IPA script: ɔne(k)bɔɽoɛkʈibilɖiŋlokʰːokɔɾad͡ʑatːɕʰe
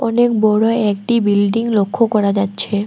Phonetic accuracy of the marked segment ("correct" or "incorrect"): correct